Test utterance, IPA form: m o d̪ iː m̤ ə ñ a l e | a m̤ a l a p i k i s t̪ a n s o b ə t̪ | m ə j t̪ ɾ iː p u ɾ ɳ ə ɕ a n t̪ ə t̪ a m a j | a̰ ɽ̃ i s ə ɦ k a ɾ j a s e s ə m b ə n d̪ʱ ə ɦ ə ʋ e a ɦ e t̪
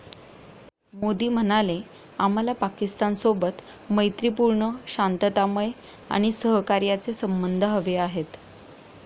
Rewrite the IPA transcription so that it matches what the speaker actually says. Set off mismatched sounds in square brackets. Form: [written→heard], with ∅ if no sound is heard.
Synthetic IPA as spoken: m o d̪ iː m̤ ə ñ a l e | a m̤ a l a p [i→a] k i s t̪ a n s o b ə t̪ | m ə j t̪ ɾ [iː→i] p u ɾ ɳ ə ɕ a n t̪ ə t̪ a m [a→ə] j | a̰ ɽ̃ i s ə ɦ k a ɾ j a [s→t͡s] e s ə m b ə n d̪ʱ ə ɦ ə ʋ e a ɦ e t̪